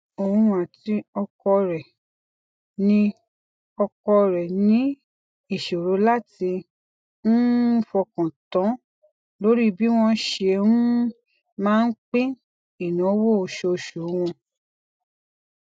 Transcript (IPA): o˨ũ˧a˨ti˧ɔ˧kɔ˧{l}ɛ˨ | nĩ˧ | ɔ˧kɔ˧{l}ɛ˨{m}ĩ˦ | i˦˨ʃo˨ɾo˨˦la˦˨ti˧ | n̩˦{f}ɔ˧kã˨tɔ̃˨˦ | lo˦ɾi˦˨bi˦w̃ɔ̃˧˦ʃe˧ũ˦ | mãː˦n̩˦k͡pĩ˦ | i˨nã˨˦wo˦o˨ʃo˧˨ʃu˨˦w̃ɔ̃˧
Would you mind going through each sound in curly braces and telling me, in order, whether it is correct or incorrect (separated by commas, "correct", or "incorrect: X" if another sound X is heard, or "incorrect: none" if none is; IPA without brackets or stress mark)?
incorrect: ɾ, incorrect: ɾ, incorrect: n, correct